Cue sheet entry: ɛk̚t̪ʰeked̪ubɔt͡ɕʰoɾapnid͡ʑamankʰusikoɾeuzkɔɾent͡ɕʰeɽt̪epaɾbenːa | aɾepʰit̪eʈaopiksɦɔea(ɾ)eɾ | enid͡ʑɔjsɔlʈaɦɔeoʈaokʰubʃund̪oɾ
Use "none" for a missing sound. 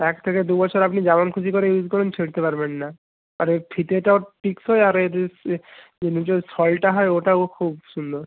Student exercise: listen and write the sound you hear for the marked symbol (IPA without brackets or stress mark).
ɾ